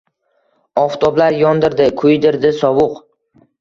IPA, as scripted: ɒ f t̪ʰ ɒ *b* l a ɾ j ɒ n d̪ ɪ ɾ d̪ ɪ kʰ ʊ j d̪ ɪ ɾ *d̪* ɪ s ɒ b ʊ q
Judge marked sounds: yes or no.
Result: yes, yes

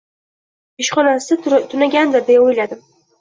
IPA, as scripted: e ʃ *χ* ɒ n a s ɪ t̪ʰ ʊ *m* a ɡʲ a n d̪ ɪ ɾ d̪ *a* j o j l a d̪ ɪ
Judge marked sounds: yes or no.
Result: yes, no, no

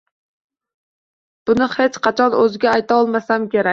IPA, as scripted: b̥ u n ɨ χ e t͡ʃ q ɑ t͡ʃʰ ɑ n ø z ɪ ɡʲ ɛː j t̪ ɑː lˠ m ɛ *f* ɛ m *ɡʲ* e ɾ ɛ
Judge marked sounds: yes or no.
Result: no, no

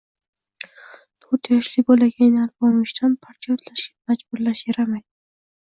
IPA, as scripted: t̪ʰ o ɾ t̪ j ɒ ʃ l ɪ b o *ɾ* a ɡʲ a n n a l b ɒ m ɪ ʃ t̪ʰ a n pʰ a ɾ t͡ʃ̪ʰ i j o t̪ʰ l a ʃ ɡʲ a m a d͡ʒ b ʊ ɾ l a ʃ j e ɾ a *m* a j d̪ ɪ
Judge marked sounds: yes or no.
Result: no, yes

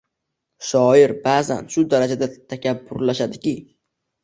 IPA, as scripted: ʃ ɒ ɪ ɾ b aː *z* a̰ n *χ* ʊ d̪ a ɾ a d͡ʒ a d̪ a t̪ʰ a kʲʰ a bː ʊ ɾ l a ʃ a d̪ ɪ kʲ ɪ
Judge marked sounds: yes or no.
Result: yes, no

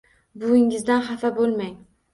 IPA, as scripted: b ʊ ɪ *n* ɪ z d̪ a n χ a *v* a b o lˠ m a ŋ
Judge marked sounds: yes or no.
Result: no, no

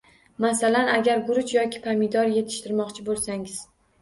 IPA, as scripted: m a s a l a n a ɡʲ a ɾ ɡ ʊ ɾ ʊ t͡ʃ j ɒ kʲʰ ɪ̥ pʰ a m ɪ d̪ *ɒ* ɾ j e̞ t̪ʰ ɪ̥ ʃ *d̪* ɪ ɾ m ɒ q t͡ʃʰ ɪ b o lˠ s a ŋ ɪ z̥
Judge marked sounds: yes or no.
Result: yes, no

